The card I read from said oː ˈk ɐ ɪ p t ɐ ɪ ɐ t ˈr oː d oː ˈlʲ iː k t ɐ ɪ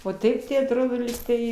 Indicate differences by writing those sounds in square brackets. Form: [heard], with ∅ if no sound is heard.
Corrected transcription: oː [ˈt] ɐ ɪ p t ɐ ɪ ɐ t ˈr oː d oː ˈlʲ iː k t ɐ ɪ